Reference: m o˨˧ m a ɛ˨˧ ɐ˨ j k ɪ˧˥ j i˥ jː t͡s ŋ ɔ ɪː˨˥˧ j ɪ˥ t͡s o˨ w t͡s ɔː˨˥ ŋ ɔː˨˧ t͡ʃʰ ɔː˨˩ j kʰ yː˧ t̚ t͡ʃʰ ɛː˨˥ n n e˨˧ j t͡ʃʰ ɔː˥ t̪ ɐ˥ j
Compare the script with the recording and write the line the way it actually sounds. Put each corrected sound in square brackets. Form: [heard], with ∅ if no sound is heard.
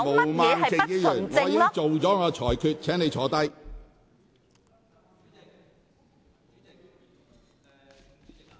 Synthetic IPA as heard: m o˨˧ m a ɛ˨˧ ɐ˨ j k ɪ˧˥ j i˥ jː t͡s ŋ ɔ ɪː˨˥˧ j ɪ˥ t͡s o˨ w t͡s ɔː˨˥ ŋ ɔː˨˧ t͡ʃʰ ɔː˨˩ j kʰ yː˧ t̚ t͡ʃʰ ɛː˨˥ [ŋ] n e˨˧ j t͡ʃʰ [ɔː˨˥] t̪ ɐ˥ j